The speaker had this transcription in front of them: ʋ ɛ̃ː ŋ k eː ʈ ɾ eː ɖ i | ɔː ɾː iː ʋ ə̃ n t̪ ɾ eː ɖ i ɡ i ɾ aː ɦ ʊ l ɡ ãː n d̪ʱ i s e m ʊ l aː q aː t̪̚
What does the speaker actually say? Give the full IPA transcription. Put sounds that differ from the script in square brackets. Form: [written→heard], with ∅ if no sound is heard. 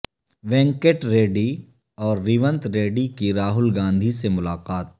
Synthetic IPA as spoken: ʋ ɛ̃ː ŋ k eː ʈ ɾ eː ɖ i | ɔː ɾː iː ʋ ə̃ n t̪ ɾ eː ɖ i [ɡ→k] i ɾ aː ɦ ʊ l ɡ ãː n d̪ʱ i s e m ʊ l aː q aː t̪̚